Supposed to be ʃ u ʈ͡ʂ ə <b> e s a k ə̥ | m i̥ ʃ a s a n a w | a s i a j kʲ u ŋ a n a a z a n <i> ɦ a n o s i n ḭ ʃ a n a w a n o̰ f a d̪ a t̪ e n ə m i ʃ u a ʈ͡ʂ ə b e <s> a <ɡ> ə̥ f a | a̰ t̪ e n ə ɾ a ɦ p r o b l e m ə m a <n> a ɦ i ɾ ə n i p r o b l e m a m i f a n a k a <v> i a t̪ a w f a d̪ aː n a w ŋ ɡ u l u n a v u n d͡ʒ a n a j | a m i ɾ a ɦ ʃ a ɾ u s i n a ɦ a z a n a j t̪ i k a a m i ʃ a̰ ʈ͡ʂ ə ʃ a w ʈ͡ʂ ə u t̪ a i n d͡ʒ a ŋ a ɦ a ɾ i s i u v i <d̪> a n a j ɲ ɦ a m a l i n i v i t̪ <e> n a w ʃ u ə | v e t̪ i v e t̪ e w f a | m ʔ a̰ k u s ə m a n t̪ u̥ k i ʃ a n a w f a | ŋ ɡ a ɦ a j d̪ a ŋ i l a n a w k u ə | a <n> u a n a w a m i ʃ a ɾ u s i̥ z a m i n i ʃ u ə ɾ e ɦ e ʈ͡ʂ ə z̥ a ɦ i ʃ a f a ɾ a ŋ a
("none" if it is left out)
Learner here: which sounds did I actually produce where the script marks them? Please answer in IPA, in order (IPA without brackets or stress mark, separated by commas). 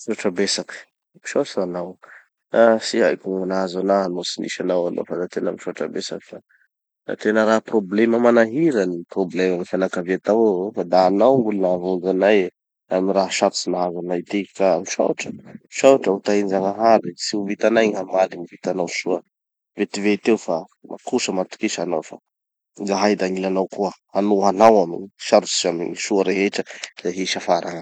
b, a, s, k, n, v, t̪, a, n